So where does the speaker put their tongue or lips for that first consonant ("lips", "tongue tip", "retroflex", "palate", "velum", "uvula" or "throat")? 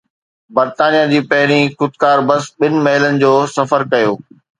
lips